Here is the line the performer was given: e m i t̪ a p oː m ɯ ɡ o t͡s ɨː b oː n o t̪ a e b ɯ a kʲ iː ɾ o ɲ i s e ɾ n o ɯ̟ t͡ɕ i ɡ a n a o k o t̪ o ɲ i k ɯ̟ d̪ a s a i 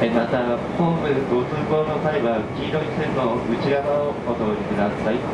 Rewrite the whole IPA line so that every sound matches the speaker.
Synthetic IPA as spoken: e m a t̪ a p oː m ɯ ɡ o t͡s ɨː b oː n o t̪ a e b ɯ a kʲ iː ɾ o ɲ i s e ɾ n o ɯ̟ t͡ɕ i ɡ a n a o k o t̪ o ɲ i k ɯ̟ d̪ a s a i